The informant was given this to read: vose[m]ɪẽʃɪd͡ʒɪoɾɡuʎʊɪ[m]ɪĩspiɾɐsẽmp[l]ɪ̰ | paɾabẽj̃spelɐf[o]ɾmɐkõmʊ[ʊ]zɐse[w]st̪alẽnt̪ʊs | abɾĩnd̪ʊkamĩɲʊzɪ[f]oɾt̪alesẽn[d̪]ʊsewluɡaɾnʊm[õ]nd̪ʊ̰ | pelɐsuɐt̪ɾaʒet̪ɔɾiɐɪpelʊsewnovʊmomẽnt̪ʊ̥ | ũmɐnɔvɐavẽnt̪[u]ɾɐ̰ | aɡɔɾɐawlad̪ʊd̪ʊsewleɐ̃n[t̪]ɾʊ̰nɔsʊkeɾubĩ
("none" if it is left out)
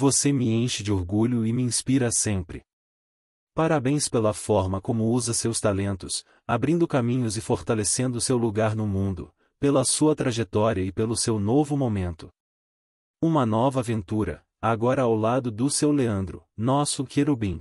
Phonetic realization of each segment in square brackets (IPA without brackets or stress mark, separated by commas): m, m, ɾ, ɔ, u, w, f, d̪, ũ, u, d̪